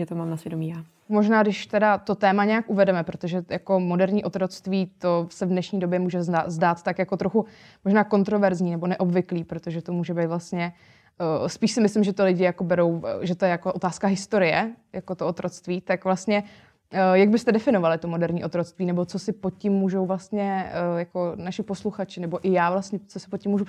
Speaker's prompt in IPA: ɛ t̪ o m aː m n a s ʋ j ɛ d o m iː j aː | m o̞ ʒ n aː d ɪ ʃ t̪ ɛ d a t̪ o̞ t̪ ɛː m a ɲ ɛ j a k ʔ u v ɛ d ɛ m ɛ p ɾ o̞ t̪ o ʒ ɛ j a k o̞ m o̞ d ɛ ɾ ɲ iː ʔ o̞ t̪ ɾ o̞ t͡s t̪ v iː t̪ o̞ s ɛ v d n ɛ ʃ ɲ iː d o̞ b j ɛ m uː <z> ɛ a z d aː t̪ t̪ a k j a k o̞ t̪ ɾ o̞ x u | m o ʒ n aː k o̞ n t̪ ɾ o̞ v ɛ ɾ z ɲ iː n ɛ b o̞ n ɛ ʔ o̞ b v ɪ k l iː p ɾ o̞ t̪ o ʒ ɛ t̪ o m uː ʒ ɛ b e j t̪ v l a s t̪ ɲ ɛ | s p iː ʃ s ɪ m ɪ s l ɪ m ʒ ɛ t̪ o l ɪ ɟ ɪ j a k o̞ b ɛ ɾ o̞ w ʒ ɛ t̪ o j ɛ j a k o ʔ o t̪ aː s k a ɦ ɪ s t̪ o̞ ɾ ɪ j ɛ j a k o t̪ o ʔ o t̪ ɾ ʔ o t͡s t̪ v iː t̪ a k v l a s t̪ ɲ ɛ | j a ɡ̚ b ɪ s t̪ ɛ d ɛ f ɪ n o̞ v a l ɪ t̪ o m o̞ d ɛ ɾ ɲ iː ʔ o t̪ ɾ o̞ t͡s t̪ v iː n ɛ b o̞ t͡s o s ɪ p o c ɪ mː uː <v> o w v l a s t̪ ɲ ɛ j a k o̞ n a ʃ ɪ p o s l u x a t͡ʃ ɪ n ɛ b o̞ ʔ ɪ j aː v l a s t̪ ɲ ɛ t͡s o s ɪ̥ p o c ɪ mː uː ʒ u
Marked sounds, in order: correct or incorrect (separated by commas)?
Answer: incorrect, incorrect